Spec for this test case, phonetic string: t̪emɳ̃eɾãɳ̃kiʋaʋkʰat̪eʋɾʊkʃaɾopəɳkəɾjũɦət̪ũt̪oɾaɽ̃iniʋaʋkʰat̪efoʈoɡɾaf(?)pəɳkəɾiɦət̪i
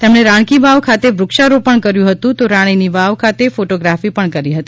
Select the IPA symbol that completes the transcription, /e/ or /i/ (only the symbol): i